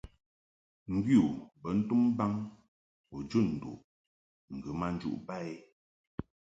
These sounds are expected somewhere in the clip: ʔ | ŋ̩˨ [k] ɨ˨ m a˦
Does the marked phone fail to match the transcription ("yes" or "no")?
yes